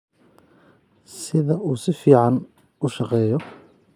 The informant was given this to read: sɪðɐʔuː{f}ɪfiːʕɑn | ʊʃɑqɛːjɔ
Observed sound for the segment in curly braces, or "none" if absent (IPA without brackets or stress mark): s